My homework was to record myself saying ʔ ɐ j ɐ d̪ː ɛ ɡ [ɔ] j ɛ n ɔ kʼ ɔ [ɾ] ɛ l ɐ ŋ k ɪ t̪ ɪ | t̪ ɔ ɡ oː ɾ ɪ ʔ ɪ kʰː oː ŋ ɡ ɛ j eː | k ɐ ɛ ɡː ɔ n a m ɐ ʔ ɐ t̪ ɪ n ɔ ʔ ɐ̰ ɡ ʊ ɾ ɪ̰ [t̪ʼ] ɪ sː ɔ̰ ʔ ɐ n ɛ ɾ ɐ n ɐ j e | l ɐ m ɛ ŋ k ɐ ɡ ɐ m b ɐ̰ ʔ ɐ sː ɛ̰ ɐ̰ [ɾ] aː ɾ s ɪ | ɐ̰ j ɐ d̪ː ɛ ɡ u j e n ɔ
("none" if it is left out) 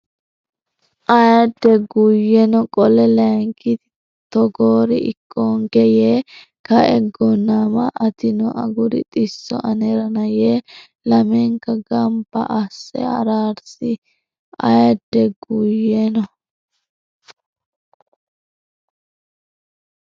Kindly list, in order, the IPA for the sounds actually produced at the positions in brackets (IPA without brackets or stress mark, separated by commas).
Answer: u, l, t̪ʼ, ɾ